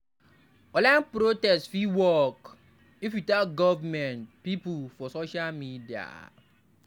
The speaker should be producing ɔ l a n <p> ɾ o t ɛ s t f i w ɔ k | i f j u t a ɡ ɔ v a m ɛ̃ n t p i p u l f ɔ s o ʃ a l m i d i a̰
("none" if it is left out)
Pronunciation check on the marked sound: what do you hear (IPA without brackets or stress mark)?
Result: p